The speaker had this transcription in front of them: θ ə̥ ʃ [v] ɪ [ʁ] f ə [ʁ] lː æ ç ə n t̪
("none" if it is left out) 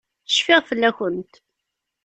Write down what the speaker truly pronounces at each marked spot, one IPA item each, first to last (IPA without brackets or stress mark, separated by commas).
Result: f, ʁ, none